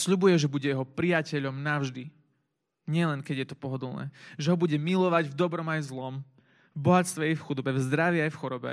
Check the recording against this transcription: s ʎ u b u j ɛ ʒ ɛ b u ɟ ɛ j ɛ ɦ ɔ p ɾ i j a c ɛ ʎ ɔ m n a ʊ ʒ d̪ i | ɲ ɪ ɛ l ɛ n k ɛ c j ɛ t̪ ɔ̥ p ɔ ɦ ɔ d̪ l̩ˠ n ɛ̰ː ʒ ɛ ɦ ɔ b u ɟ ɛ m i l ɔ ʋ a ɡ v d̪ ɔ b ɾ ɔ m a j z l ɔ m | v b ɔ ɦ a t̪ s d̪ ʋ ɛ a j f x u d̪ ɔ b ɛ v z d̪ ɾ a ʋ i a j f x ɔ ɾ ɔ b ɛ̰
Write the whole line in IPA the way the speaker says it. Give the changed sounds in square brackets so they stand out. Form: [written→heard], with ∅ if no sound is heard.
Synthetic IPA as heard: s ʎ u b u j ɛ ʒ ɛ b u ɟ ɛ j ɛ ɦ ɔ p ɾ i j a c ɛ ʎ ɔ m n a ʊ ʒ d̪ i | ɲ ɪ ɛ l ɛ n k ɛ [c→ɟ] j ɛ t̪ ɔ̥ p ɔ ɦ ɔ d̪ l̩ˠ n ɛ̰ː ʒ ɛ ɦ ɔ b u ɟ ɛ m i l ɔ ʋ a [ɡ→ɟ] v d̪ ɔ b ɾ ɔ m a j z l ɔ m | v b ɔ ɦ a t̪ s [d̪→t̪] ʋ ɛ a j f x u d̪ ɔ b ɛ v z d̪ ɾ a ʋ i a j f x ɔ ɾ ɔ b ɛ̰